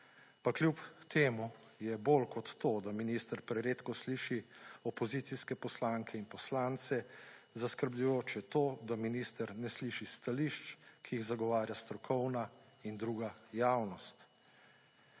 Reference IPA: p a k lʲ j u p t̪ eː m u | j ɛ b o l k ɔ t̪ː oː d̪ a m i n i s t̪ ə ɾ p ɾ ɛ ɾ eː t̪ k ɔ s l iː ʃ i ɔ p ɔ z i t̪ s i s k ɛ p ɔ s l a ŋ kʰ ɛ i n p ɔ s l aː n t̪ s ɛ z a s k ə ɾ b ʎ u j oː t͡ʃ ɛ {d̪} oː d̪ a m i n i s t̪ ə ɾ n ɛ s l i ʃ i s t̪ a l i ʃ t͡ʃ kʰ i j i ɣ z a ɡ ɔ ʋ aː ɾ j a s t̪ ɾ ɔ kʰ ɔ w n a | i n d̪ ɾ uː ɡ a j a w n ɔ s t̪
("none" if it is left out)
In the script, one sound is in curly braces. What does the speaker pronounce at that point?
t̪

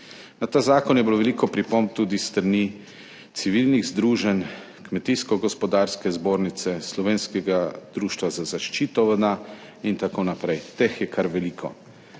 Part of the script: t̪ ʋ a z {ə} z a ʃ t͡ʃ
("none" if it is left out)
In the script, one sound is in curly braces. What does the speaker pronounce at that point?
a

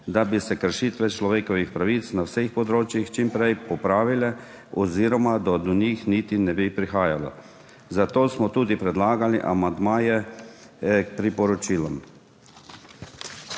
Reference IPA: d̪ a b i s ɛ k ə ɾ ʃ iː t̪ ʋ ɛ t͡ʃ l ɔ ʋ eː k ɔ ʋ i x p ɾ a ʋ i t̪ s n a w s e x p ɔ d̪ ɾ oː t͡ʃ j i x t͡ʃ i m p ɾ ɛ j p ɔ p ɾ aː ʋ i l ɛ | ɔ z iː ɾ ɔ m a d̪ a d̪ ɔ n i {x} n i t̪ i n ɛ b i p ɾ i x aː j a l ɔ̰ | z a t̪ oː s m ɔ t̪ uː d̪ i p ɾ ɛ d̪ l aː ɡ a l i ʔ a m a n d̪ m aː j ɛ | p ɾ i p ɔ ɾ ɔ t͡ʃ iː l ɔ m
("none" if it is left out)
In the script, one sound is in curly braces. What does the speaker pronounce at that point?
x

